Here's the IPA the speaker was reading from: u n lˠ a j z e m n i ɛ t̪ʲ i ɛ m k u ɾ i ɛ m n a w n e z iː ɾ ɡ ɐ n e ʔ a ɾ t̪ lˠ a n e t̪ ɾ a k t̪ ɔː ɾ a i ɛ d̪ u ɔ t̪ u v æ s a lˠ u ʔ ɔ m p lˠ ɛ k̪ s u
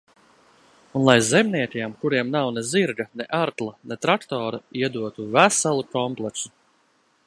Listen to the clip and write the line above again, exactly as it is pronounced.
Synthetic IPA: u n lˠ a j z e m n i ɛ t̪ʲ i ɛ m k u ɾ i ɛ m n a w n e z i ɾ ɡ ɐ n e ʔ a ɾ t̪ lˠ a n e t̪ ɾ a k t̪ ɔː ɾ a i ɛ d̪ u ɔ t̪ u v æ s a lˠ u k ɔ m p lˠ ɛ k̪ s u